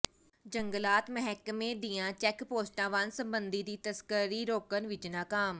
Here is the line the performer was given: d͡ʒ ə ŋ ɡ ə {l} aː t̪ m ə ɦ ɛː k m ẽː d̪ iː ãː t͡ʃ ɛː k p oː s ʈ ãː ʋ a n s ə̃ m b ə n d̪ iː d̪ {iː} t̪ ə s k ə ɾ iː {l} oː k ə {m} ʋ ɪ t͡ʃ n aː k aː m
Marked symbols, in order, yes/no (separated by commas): yes, yes, no, no